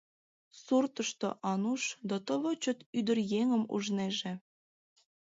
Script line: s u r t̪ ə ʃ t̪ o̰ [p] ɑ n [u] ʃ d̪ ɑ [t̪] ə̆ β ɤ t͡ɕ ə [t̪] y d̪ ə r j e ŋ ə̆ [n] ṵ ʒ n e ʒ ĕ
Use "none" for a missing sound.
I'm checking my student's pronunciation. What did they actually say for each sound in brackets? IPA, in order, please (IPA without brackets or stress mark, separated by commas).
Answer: ʔ, u, t̪, t̪, m